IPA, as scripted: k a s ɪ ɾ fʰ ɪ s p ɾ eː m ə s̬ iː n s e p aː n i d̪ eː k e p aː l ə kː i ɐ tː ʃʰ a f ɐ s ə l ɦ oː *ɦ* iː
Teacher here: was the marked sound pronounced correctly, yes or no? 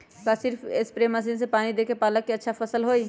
no